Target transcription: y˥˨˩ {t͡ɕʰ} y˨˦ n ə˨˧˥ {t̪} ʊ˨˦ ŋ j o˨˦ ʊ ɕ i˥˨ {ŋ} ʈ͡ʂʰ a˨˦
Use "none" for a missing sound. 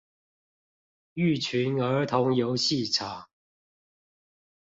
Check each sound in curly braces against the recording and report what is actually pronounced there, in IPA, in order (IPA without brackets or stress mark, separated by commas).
t͡ɕʰ, t̪ʰ, none